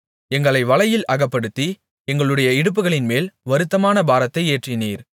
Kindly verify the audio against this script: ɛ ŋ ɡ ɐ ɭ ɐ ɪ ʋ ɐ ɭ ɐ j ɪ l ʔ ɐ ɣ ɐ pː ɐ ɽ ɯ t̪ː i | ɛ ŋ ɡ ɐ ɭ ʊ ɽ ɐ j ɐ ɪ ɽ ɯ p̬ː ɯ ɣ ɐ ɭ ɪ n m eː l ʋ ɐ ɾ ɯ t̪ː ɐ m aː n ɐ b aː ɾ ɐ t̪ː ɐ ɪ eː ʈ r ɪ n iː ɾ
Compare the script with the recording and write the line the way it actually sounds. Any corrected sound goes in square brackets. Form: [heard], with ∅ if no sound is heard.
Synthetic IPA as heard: ɛ ŋ ɡ ɐ ɭ ɐ ɪ ʋ ɐ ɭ ɐ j ɪ l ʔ ɐ ɣ ɐ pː ɐ ɽ ɯ t̪ː i | ɛ ŋ ɡ ɐ ɭ [ɯ] ɽ ɐ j ɐ ɪ ɽ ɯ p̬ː ɯ ɣ ɐ ɭ ɪ n m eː l ʋ ɐ ɾ ɯ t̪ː ɐ m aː n ɐ b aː ɾ ɐ t̪ː ɐ ɪ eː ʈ r ɪ n iː ɾ